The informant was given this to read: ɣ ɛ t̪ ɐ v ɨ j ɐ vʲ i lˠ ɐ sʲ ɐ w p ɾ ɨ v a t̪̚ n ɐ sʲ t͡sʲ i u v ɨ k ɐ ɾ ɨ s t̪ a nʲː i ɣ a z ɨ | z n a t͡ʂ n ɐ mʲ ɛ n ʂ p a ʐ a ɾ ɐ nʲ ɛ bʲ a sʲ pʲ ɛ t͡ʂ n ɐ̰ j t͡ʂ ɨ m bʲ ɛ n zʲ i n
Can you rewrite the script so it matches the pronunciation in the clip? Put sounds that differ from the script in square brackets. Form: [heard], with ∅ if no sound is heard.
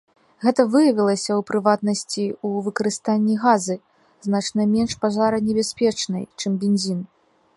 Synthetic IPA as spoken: ɣ ɛ t̪ ɐ v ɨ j ɐ vʲ i lˠ ɐ sʲ ɐ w p ɾ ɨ v a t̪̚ n ɐ sʲ t͡sʲ i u v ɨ k ɐ ɾ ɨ s t̪ a nʲː i ɣ a z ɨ | z n a t͡ʂ n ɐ mʲ ɛ n ʂ p a ʐ a ɾ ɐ nʲ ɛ bʲ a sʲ pʲ ɛ t͡ʂ n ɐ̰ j t͡ʂ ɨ m bʲ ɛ n zʲ i n